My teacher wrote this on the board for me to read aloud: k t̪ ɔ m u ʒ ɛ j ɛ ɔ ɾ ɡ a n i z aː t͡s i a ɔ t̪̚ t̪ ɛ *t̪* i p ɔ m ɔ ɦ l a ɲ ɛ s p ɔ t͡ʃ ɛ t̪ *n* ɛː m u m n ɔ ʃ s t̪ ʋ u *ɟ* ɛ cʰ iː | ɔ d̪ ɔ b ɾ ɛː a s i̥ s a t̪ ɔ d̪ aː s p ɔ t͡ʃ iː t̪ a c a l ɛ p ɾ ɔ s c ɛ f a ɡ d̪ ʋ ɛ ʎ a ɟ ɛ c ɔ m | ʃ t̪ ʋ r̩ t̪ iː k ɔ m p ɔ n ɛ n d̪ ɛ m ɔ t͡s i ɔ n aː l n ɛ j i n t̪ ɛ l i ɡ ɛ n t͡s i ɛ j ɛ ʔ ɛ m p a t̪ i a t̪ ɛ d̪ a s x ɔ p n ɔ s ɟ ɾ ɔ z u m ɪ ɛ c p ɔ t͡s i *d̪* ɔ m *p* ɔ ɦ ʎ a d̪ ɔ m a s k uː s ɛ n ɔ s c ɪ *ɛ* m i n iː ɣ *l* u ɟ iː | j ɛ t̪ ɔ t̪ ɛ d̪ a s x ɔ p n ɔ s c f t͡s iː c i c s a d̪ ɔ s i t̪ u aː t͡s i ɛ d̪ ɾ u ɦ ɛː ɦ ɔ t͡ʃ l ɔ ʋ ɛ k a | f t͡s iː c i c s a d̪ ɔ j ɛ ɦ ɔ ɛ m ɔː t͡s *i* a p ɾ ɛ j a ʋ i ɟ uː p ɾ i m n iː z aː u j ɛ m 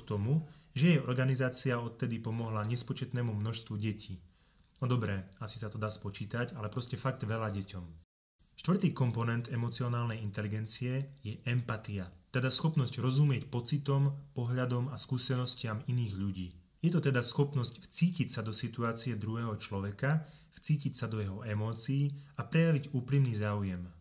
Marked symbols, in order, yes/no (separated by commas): no, yes, yes, no, yes, no, no, no